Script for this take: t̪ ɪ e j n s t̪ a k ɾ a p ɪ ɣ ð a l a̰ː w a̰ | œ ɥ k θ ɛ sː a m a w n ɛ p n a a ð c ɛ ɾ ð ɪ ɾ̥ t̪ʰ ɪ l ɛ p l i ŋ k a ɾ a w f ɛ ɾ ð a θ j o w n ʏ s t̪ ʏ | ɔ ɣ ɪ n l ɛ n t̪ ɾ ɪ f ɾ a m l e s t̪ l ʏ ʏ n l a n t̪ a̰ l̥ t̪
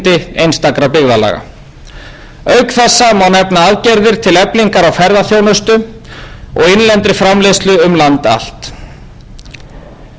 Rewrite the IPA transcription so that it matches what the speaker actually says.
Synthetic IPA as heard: t̪ ɪ e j n s t̪ a k ɾ a p ɪ ɣ ð a l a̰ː ɣ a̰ | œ ɥ k θ ɛ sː a m a w n ɛ p n a a ð c ɛ ɾ ð ɪ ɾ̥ t̪ʰ ɪ l ɛ p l i ŋ k a ɾ a w f ɛ ɾ ð a θ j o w n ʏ s t̪ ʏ | ɔ ɣ ɪ n l ɛ n t̪ ɾ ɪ f ɾ a m l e s t̪ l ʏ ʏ m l a n t̪ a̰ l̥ t̪